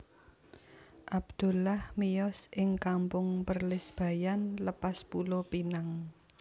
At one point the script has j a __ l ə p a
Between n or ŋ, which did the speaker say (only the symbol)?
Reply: n